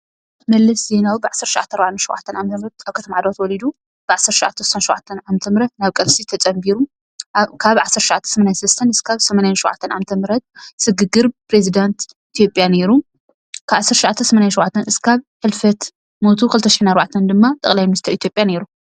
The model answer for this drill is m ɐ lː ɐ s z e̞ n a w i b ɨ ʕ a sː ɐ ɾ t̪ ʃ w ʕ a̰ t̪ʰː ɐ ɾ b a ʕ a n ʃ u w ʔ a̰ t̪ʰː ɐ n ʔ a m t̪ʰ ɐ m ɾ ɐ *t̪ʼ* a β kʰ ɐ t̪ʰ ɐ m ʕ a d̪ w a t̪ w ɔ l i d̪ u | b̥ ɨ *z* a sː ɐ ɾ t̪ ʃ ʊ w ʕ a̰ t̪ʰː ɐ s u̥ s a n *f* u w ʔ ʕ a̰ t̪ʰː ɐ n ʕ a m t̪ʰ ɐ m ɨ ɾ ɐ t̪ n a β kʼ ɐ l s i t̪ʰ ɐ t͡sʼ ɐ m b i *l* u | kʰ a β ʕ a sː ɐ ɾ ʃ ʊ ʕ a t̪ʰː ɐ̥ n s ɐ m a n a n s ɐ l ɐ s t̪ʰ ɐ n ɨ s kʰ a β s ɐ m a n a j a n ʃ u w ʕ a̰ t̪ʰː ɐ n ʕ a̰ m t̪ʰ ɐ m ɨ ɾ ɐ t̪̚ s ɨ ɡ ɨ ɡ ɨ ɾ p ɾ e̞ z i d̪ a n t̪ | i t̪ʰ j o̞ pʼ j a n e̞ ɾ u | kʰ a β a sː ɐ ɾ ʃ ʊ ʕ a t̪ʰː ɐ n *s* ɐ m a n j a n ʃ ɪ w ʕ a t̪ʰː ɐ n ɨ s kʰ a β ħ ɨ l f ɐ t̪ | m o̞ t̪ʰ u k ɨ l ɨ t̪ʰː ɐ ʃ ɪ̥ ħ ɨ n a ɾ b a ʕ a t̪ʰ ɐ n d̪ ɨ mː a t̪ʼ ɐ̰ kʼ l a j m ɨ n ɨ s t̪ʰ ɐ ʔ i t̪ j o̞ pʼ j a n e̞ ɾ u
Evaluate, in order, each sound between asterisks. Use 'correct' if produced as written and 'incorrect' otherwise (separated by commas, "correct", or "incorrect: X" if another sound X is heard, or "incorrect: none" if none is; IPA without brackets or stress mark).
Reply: incorrect: t̪, incorrect: ʕ, incorrect: ʃ, incorrect: ɾ, correct